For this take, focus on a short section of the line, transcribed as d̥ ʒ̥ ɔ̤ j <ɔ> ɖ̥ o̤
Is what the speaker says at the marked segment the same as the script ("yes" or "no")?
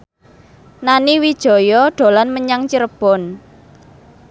yes